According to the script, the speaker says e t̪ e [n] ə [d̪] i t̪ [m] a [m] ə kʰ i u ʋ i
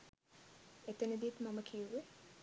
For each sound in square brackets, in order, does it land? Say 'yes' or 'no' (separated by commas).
yes, yes, yes, yes